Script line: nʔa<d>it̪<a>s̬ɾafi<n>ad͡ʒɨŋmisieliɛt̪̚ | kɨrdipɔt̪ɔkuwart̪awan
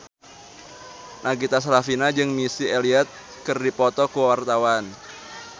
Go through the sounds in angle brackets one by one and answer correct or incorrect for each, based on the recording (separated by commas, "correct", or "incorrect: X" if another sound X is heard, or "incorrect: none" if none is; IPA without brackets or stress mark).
incorrect: ɡ, correct, correct